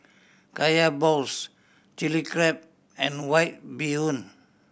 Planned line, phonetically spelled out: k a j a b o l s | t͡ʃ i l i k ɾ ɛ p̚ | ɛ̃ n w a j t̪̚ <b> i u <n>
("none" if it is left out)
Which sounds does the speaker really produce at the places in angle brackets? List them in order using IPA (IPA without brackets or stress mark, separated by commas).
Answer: b, n